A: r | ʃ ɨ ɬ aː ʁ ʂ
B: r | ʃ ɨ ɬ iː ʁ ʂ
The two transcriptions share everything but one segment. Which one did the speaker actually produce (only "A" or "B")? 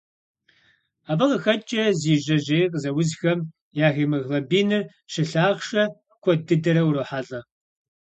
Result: A